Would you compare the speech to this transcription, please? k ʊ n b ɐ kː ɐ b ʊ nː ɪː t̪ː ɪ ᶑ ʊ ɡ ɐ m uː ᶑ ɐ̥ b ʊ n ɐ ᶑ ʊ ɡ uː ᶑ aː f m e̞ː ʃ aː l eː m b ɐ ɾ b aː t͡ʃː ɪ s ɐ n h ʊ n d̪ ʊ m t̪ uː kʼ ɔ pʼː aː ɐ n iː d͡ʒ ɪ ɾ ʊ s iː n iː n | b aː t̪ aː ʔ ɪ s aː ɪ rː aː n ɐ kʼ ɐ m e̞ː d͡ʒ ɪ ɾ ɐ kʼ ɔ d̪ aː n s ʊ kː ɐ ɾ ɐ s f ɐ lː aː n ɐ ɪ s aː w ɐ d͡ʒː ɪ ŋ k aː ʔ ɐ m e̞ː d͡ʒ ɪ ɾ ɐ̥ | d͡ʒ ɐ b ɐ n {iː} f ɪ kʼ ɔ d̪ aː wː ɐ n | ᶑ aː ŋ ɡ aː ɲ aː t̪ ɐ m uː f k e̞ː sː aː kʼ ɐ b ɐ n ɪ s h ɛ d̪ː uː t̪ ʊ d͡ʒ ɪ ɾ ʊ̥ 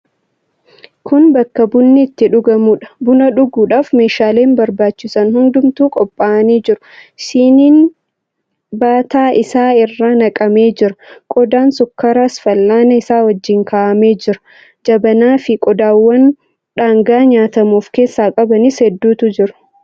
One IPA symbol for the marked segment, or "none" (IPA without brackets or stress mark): aː